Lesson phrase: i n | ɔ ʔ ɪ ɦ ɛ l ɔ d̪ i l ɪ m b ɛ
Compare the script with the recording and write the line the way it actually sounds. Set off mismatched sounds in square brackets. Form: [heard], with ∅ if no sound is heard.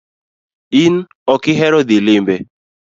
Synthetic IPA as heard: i n | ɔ [k] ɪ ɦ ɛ [ɾ] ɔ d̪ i l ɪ m b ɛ